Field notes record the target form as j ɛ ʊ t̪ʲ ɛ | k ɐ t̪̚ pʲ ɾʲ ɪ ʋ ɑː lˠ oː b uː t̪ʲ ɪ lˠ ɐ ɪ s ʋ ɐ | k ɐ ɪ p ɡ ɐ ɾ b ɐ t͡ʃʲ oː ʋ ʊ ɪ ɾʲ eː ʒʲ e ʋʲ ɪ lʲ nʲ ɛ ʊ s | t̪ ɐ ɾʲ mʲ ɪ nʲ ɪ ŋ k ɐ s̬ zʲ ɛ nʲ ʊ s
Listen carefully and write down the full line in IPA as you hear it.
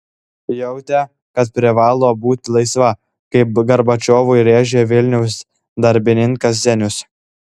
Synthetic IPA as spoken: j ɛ ʊ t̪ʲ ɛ | k ɐ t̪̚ pʲ ɾʲ ɪ ʋ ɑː lˠ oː b uː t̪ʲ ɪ lˠ ɐ ɪ s ʋ ɐ | k ɐ ɪ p ɡ ɐ ɾ b ɐ t͡ʃʲ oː ʋ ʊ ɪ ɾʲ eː ʒʲ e ʋʲ ɪ lʲ nʲ ɛ ʊ s | d̪ ɐ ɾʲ bʲ ɪ nʲ ɪ ŋ k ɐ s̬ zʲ ɛ nʲ ʊ s